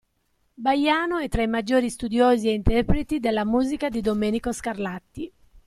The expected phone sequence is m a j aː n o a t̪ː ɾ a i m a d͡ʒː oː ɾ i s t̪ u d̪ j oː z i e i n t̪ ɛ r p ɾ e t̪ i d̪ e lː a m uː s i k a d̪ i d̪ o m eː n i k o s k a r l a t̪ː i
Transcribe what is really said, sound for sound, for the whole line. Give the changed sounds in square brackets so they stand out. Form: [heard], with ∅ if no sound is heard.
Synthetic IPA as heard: [b] a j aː n o [ɛ] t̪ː ɾ a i m a d͡ʒː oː ɾ i s t̪ u d̪ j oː z i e i n t̪ ɛ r p ɾ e t̪ i d̪ e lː a m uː [z] i k a d̪ i d̪ o m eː n i k o s k a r l a t̪ː i

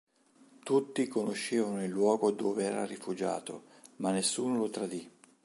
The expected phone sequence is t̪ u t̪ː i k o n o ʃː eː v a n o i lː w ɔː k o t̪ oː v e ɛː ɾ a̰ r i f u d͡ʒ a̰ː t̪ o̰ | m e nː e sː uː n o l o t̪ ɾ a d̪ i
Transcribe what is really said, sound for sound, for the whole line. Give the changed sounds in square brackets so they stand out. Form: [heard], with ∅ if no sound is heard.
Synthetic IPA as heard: t̪ u t̪ː i k o n o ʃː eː v a n o i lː w ɔː [ɡ] o [d̪] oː v e ɛː ɾ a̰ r i f u d͡ʒ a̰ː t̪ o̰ | m [a] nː e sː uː n o l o t̪ ɾ a d̪ i

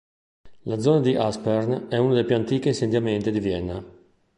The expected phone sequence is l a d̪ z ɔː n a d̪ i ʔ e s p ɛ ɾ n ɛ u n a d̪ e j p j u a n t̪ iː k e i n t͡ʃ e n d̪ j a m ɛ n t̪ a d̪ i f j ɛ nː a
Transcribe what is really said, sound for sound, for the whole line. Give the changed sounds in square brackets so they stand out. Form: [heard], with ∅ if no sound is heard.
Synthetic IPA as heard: l a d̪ z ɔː n a d̪ i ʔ [a] s p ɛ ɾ n ɛ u n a d̪ e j p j u a n t̪ iː k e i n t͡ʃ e n d̪ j a m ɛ n t̪ [i] d̪ i [v] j ɛ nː a

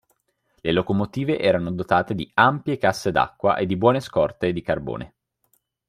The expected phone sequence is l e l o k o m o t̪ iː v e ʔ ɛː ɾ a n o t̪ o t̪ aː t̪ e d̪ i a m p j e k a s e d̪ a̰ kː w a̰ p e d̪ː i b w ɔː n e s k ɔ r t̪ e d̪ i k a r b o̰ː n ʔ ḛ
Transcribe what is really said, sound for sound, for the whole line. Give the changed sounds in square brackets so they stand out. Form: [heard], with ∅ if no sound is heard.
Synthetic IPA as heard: l e l o k o m o t̪ iː v e ʔ ɛː ɾ a n o [d̪] o t̪ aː t̪ e d̪ i a m p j e k a [sː] e d̪ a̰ kː w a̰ [ʔ] e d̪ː i b w ɔː n e s k ɔ r t̪ e d̪ i k a r b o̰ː n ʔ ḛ

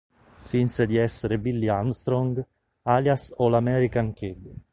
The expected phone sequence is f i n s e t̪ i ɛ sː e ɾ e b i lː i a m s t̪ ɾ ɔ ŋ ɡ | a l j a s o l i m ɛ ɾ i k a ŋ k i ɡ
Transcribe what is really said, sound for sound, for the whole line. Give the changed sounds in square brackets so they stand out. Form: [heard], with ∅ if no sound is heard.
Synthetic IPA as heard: f i n s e [d̪] i ɛ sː e ɾ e b i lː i a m s t̪ ɾ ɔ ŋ ɡ | a l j a s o l [a] m ɛ ɾ i k a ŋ k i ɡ

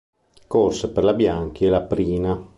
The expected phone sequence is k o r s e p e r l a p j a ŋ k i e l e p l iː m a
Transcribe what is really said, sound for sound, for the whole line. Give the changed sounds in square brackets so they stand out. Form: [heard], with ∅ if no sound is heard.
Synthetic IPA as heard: k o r s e p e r l a [b] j a ŋ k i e l [a] p [ɾ] iː [n] a

